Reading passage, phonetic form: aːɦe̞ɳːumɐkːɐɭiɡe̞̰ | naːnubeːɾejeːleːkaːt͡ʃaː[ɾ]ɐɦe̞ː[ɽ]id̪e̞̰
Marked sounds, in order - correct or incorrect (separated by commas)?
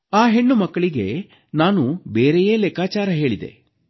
correct, incorrect